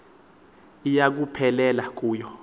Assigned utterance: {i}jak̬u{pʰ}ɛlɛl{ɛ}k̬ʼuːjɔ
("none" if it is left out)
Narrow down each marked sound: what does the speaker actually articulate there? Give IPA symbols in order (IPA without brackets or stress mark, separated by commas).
i, pʰ, a